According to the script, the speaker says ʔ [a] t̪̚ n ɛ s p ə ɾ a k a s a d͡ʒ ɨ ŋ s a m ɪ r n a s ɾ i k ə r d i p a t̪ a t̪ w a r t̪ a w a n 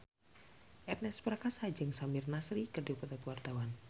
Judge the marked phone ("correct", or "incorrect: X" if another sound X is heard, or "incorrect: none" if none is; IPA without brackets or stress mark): incorrect: ɛ